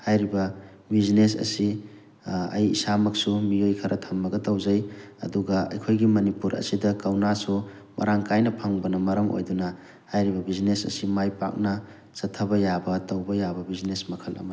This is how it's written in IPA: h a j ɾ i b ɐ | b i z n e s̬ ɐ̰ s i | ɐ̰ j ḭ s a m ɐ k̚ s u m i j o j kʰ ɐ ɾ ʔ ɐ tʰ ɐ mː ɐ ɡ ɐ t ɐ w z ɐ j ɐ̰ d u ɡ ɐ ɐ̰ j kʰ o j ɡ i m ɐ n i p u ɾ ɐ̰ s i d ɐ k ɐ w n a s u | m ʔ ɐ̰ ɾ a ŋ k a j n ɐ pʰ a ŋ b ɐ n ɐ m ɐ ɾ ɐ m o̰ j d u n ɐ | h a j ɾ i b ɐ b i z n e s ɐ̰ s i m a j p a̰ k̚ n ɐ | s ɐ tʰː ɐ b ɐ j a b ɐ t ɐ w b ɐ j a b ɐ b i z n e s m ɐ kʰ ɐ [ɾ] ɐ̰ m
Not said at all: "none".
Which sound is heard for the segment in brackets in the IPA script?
l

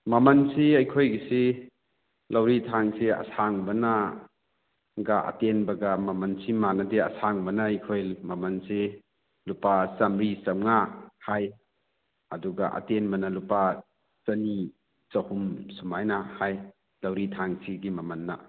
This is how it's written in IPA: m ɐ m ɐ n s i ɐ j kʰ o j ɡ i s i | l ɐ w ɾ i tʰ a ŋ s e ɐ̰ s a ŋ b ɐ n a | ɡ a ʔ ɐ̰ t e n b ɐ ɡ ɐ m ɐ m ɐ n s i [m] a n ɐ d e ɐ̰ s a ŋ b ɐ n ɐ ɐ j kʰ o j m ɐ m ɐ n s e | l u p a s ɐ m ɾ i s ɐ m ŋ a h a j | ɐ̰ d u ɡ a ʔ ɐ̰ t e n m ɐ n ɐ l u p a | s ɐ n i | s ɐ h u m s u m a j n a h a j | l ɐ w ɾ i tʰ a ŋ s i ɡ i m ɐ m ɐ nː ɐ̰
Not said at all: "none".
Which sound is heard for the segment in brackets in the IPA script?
m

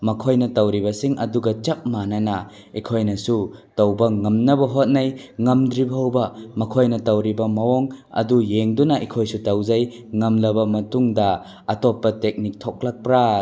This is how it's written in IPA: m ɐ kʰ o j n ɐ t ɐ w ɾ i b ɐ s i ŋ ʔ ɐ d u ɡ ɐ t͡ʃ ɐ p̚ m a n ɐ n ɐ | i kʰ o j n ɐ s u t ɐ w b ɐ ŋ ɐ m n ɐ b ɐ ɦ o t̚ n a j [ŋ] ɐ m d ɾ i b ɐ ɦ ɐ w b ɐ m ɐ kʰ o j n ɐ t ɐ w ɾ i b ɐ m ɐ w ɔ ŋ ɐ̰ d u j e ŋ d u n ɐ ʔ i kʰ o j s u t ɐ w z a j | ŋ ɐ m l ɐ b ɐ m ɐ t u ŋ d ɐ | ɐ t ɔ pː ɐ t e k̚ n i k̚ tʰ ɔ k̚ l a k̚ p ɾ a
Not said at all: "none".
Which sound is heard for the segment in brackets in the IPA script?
ŋ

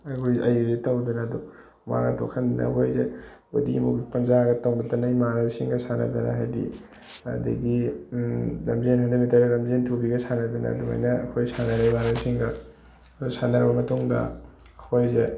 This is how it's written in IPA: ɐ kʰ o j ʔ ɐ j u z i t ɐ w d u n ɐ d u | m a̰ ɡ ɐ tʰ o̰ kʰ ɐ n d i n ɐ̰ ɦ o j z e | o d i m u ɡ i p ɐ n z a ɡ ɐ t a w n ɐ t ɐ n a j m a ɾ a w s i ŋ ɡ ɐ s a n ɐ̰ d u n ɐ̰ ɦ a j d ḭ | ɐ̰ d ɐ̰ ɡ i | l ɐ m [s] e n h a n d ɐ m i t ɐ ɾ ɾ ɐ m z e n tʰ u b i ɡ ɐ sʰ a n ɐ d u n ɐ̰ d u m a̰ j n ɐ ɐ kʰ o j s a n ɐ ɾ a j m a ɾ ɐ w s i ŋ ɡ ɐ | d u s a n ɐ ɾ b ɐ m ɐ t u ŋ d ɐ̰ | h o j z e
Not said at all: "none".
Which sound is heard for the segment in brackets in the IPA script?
z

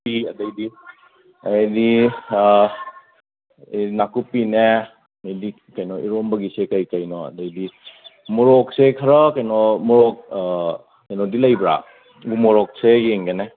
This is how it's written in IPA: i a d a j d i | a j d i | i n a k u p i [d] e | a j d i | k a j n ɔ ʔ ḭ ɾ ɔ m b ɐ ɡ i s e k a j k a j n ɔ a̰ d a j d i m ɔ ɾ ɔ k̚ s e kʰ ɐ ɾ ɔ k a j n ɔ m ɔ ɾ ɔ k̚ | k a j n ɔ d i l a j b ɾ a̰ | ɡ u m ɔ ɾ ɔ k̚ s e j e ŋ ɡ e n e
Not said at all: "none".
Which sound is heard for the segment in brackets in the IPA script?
n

